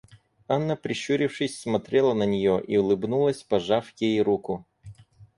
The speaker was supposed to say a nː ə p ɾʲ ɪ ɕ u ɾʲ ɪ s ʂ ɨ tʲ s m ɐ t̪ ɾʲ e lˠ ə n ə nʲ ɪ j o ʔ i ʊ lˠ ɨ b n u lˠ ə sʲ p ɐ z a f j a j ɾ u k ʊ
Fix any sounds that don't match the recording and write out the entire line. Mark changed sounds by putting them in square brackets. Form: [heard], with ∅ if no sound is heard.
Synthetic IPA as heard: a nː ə p ɾʲ ɪ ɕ u ɾʲ ɪ [f] ʂ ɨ [sʲ] s m ɐ t̪ ɾʲ e lˠ ə n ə nʲ ɪ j o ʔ i ʊ lˠ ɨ b n u lˠ ə sʲ p ɐ [ʐ] a f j [e] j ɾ u k ʊ